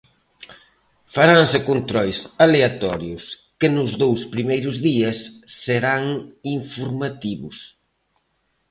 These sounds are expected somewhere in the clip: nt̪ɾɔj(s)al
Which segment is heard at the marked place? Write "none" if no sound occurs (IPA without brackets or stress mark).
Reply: s